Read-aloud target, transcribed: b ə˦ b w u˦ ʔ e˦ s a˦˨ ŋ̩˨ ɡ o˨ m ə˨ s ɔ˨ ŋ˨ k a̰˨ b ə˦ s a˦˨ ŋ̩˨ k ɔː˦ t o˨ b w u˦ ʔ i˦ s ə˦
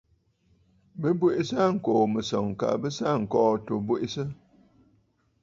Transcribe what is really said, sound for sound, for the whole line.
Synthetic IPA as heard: b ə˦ b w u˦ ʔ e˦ s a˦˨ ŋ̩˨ k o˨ m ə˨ s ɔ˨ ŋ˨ k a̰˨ b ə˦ s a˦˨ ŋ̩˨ k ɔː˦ t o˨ b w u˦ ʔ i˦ s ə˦